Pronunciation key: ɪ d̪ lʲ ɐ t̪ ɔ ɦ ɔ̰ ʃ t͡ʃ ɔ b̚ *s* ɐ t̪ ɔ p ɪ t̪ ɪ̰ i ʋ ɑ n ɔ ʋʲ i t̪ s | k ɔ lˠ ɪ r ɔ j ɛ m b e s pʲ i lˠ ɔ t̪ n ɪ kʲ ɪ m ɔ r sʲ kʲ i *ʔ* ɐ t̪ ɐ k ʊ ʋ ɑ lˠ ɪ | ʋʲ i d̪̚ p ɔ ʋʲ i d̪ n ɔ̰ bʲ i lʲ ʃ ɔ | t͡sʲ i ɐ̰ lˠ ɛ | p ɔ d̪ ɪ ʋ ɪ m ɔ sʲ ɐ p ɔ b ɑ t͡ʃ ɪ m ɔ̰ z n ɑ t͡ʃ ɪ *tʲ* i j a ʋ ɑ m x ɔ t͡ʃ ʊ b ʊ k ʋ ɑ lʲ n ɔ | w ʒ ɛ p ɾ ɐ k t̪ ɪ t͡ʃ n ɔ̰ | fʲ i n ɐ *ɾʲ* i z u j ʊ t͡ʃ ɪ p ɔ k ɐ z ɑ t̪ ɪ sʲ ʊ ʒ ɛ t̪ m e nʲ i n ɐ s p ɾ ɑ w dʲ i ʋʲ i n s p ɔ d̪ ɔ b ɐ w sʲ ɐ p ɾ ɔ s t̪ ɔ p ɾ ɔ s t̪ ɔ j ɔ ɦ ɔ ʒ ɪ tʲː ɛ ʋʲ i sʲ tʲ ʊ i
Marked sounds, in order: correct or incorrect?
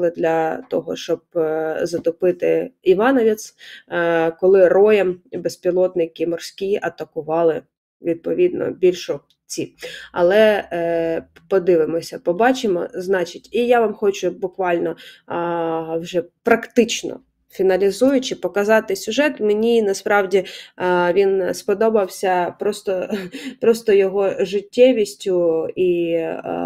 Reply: incorrect: z, correct, correct, incorrect: lʲ

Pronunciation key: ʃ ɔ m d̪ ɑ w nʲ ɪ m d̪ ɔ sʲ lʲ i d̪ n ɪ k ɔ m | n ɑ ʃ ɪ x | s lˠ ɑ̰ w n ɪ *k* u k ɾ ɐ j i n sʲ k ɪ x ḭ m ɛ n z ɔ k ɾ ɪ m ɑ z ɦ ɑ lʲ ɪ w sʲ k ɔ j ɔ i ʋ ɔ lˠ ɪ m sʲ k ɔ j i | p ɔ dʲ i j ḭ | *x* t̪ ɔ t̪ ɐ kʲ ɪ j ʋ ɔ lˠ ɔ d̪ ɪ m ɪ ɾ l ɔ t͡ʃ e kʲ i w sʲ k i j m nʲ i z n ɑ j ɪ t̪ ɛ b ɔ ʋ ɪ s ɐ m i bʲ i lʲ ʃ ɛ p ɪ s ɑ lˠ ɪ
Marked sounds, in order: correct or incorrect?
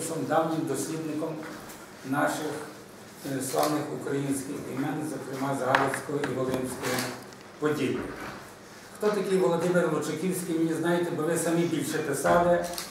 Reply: incorrect: x, correct

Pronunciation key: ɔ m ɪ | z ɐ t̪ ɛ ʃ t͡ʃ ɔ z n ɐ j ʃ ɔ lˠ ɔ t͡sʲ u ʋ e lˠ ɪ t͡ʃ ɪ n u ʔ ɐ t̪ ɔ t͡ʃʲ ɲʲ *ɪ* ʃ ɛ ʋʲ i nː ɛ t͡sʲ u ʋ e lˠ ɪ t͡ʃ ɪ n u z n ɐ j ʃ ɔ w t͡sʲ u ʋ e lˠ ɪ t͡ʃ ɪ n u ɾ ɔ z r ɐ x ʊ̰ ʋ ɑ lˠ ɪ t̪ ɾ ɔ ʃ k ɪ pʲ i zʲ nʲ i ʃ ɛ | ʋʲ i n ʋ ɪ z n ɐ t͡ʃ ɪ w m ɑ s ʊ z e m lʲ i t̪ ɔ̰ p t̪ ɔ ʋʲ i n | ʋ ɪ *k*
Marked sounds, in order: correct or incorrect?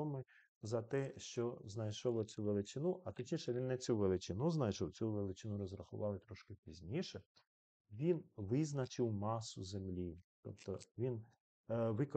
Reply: incorrect: i, correct

